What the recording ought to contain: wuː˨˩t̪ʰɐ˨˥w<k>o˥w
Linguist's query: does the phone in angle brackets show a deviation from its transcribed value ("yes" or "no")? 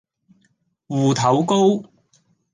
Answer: no